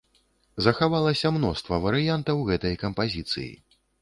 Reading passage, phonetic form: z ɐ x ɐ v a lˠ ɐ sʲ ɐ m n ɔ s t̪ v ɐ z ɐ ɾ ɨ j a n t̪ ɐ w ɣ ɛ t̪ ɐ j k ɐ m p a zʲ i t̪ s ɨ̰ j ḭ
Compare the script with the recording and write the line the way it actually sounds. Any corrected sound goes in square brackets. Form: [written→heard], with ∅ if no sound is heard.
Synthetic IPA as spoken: z ɐ x [ɐ→a] v a lˠ ɐ sʲ ɐ m n ɔ s t̪ v ɐ [z→v] ɐ ɾ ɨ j a n t̪ ɐ w ɣ ɛ t̪ ɐ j k ɐ m p a zʲ i t̪ s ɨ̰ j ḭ